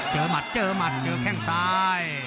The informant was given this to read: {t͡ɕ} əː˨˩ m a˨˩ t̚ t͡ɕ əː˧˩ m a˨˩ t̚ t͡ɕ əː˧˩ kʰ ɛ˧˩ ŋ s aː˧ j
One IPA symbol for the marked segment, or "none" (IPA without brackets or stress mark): t͡ɕ